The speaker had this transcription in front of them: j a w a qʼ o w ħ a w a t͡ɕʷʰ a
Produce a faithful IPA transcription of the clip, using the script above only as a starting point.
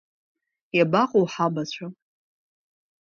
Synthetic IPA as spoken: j a b a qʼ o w ħ a b a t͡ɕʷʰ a